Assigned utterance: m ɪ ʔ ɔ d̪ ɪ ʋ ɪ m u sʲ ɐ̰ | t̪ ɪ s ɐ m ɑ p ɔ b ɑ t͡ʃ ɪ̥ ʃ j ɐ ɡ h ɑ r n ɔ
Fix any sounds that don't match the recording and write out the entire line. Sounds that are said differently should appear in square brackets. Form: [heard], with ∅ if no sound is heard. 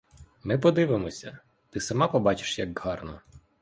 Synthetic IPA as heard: m ɪ [p] ɔ d̪ ɪ ʋ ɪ m [ɔ] sʲ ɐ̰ | t̪ ɪ s ɐ m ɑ p ɔ b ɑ t͡ʃ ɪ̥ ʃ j ɐ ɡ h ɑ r n ɔ